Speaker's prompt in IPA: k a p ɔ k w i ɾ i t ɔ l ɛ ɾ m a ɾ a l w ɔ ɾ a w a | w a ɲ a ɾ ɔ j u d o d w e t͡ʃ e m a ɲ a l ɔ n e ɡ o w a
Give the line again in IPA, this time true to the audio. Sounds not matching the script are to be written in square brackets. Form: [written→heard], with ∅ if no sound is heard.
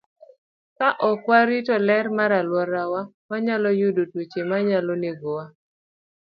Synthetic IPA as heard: k a [p→ʔ] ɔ k w [i→a] ɾ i t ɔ l ɛ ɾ m a ɾ a l w ɔ ɾ a w a | w a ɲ a [ɾ→l] ɔ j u d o [d→t] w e t͡ʃ e m a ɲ a l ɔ n e ɡ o w a